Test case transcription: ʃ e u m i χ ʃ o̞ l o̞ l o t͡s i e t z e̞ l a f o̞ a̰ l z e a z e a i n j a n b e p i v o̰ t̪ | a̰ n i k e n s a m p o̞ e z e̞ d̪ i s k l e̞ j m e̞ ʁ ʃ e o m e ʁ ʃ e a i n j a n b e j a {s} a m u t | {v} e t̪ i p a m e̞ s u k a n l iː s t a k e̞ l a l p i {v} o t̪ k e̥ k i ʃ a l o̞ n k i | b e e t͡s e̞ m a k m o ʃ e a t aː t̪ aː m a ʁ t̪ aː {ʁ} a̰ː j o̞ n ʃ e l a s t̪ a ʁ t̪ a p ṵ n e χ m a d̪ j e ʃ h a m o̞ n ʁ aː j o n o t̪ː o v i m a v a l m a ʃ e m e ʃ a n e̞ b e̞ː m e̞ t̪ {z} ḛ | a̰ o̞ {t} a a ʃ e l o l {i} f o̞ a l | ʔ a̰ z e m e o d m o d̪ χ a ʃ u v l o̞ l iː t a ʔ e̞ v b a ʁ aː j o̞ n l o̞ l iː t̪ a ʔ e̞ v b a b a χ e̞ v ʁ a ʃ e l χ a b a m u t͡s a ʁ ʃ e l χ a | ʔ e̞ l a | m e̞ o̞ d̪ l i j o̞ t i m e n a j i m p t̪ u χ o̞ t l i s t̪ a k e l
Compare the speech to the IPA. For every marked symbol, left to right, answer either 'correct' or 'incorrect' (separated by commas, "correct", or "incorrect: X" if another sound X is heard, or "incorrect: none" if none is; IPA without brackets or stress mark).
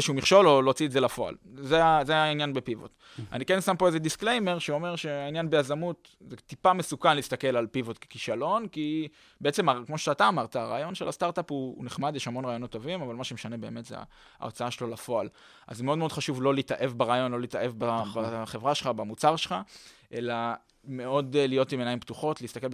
incorrect: z, incorrect: z, correct, correct, correct, incorrect: t͡s, incorrect: a